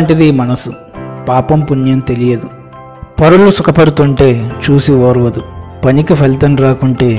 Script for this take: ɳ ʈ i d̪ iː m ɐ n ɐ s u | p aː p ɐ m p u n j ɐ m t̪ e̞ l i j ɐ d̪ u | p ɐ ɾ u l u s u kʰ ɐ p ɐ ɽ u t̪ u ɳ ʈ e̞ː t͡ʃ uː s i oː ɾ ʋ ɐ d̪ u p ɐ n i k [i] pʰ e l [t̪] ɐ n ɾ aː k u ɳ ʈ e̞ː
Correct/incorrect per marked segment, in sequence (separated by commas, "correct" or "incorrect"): correct, correct